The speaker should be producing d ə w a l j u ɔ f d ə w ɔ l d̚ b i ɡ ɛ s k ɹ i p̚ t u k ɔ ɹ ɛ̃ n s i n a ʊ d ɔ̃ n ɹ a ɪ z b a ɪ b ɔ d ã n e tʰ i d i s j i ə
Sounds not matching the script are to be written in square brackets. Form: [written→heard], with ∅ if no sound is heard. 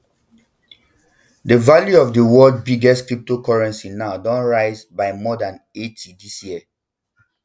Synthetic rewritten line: d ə [w→v] a l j u ɔ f d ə w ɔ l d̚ b i ɡ ɛ s k ɹ i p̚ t [u→o] k ɔ ɹ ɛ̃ n s i n a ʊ d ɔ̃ n ɹ a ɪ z b a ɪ [b→m] ɔ d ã n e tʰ i d i s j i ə